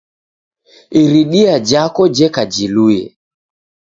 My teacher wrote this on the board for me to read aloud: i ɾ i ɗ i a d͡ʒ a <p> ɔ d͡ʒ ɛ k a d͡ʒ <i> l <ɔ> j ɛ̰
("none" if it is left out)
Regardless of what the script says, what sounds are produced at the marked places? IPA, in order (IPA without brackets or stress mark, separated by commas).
k, i, u